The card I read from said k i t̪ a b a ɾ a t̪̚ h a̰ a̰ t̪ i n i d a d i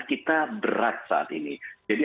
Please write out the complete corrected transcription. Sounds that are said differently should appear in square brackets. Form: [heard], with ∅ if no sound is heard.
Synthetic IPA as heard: k i t̪ a b [ə] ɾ a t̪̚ [s] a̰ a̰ t̪ i n i [d͡ʒ] a d i